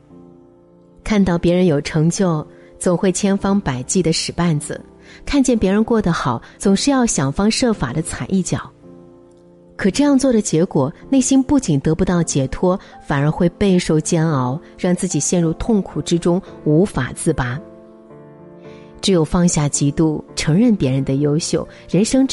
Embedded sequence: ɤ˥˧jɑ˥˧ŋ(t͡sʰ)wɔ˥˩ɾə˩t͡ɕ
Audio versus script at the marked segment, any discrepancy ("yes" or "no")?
yes